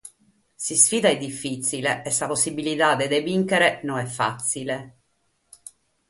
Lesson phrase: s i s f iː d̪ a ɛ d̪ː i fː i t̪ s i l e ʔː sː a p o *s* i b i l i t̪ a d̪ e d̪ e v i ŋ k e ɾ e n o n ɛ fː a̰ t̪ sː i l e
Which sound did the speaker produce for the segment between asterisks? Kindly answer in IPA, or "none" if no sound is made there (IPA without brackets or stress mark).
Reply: sː